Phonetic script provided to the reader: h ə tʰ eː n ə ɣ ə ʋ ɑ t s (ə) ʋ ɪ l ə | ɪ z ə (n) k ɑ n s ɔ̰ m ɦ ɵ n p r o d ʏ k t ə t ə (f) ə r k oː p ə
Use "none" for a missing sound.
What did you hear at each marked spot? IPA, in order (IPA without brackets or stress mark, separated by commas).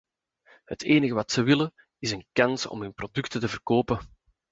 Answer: ə, n, v